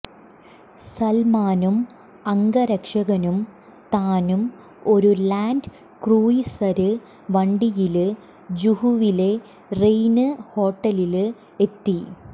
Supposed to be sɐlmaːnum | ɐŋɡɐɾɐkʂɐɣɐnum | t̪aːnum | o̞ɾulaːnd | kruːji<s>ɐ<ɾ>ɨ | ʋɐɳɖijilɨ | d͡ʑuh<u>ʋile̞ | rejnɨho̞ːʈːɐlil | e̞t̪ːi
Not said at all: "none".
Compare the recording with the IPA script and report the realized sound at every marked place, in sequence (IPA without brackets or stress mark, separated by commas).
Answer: s, ɾ, u